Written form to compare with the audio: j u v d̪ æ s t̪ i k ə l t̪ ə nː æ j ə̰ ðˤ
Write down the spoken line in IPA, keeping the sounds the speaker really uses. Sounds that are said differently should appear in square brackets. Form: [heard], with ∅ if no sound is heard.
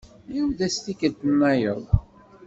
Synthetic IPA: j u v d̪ æ s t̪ i k ə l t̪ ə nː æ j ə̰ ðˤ